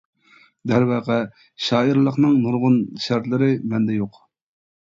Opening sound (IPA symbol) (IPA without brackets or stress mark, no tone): d̪